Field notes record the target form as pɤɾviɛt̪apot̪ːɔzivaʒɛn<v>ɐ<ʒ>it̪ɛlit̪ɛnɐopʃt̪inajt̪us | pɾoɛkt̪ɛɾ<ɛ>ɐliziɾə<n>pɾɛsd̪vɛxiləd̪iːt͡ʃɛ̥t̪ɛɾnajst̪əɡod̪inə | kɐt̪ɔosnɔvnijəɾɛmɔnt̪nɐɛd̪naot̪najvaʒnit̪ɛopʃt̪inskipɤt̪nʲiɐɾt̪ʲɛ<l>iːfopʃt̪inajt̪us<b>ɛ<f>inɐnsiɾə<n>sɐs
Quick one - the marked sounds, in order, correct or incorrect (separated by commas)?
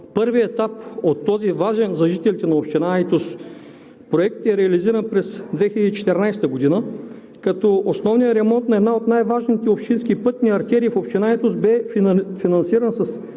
incorrect, correct, correct, correct, incorrect, correct, correct, correct